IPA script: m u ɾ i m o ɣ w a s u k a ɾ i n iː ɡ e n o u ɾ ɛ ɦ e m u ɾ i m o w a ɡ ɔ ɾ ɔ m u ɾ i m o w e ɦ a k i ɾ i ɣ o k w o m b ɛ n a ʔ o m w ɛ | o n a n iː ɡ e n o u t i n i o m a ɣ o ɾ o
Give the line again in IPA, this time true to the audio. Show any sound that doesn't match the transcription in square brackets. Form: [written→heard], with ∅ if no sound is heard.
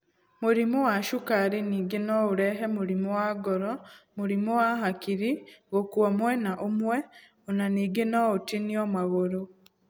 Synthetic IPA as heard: m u ɾ i m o [ɣ→∅] w a [s→ʃ] u k a ɾ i n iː ɡ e n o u ɾ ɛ ɦ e m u ɾ i m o w a ɡ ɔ ɾ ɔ m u ɾ i m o w [e→a] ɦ a k i ɾ i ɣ o k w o m [b→w] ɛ n a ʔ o m w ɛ | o n a n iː ɡ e n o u t i n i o m a ɣ o ɾ o